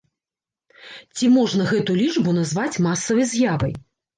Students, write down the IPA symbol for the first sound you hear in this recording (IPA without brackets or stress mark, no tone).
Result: t͡sʲ